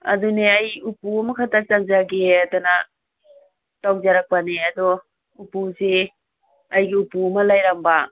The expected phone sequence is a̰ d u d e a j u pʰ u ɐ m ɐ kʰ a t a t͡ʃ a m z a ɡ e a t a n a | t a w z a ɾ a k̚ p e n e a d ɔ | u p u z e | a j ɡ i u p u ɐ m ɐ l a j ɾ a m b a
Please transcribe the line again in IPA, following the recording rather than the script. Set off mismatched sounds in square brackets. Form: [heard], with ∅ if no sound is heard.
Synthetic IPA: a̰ d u [n] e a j u [p] u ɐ m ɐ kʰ a t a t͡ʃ a [ŋ] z a ɡ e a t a n a | t a w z a ɾ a k̚ p [a] n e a d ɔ | u p u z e | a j ɡ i u p u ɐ m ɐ l a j ɾ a m b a